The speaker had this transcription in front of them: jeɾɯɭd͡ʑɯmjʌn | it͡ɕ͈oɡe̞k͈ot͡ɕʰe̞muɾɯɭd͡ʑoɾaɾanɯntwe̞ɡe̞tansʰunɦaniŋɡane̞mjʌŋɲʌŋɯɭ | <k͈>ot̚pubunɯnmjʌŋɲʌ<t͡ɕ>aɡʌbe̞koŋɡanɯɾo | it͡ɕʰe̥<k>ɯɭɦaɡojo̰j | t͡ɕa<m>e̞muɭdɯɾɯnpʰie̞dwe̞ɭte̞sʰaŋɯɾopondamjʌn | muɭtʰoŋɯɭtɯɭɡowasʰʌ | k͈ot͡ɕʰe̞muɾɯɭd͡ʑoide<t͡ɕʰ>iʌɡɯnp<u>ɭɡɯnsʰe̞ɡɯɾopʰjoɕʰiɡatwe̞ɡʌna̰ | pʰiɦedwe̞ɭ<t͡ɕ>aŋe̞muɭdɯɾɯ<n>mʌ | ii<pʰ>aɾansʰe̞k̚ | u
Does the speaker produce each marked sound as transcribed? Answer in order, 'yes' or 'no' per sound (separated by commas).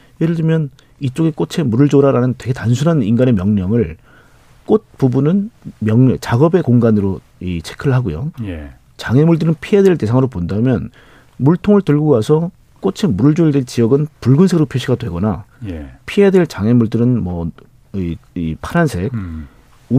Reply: yes, yes, no, no, no, yes, yes, yes, yes